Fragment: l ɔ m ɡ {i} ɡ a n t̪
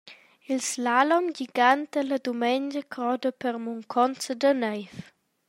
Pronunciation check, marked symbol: correct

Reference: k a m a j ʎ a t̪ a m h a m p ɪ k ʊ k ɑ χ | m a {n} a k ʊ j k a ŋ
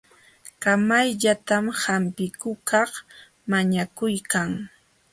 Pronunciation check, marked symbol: incorrect: ɲ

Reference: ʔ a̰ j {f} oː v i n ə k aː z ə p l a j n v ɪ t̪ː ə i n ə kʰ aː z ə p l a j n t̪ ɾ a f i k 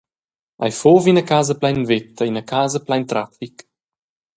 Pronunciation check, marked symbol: correct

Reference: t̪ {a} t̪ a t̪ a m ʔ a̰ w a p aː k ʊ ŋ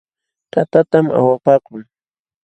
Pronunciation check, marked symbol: correct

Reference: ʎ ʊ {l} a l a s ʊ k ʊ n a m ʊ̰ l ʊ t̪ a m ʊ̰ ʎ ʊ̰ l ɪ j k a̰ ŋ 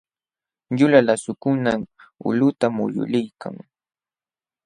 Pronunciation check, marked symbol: correct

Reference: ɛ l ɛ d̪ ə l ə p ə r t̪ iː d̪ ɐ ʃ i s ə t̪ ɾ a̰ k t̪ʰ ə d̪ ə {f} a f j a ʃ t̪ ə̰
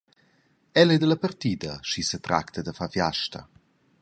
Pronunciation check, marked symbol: correct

